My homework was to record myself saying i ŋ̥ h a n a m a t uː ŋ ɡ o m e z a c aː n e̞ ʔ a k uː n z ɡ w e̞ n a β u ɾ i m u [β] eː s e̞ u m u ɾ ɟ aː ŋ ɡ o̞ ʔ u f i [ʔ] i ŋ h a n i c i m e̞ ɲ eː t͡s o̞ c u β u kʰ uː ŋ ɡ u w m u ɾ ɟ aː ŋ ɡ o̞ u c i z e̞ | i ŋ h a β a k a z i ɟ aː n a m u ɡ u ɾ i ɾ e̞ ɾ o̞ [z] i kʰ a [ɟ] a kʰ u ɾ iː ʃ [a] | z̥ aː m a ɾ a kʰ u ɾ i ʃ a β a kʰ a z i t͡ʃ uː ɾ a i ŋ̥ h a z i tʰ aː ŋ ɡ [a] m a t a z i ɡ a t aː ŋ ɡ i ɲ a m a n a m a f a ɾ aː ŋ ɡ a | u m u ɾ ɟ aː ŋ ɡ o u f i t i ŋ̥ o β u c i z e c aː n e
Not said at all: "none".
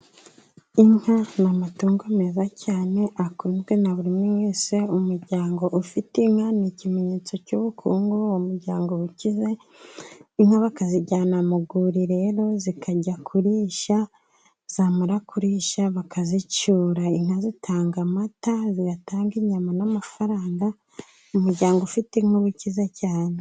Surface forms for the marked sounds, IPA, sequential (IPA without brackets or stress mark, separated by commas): w, t, z, ɟ, a, a